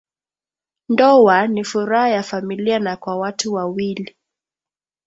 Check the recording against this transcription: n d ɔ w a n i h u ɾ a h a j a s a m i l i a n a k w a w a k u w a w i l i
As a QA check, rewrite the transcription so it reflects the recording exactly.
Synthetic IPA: n d ɔ w a n i f u ɾ a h a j a f a m i l i a n a k w a w a t u w a w i l i